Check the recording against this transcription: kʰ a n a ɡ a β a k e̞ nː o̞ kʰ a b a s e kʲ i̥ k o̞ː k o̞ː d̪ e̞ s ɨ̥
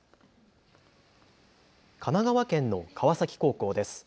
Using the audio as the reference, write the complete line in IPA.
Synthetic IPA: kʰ a n a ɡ a β a k ẽ̞ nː o̞ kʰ a β a s a kʲ i̥ k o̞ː k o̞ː d̪ e̞ s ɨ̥